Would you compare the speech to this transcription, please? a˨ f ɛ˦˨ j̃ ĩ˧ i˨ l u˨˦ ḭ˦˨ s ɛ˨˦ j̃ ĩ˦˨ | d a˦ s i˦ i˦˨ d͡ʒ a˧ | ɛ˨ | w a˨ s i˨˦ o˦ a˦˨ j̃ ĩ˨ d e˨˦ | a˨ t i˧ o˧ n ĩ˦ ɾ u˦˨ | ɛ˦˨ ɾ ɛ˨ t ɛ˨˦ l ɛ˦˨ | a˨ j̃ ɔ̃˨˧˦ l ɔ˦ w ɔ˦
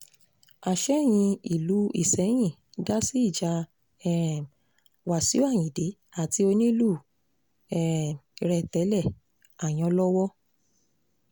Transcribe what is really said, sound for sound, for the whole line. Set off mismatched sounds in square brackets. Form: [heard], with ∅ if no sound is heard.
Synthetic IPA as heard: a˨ [ʃ] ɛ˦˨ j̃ ĩ˧ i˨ l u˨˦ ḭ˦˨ s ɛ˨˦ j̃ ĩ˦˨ | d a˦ s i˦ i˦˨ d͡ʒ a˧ | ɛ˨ | w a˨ s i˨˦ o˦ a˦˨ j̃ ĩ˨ d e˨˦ | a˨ t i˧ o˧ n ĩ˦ [l] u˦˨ | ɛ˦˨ ɾ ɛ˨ t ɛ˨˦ l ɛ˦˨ | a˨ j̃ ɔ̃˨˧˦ l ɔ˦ w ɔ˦